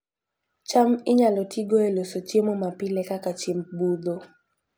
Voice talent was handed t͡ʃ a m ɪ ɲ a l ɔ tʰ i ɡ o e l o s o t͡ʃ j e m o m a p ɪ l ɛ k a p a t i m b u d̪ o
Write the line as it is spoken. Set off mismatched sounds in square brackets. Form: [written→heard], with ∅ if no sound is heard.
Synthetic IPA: t͡ʃ a m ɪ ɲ a l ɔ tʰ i ɡ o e l o s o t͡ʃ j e m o m a p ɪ l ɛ k a [p→k] a [t→t͡ʃ] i m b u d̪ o